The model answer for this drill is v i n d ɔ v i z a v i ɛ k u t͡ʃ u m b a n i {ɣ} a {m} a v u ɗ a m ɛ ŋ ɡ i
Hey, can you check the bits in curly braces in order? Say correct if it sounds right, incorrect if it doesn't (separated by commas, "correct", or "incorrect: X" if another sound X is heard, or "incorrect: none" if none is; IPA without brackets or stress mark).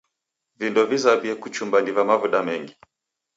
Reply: incorrect: v, correct